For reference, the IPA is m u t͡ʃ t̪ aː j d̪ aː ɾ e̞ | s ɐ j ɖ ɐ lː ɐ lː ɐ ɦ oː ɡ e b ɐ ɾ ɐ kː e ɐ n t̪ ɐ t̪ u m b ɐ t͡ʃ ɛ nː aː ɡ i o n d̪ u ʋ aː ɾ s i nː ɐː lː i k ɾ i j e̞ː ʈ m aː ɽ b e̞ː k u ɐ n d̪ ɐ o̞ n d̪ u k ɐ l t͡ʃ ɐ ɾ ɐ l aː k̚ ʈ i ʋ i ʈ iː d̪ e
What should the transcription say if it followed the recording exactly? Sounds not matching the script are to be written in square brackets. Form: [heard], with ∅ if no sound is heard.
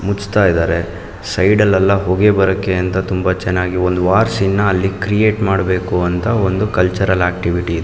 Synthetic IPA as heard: m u t͡ʃ t̪ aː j d̪ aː ɾ e̞ | s ɐ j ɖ ɐ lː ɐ lː ɐ ɦ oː ɡ e b ɐ ɾ ɐ kː e ɐ n t̪ ɐ t̪ u m b ɐ t͡ʃ ɛ nː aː ɡ i o n d̪ u ʋ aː ɾ s i nː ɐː lː i k ɾ i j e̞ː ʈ m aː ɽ b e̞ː k u ɐ n [t̪] ɐ o̞ n d̪ u k ɐ l t͡ʃ ɐ ɾ ɐ l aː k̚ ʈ i ʋ i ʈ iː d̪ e